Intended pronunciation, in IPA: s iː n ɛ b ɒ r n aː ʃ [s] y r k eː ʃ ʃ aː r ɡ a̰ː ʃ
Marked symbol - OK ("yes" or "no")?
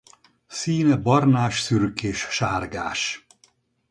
yes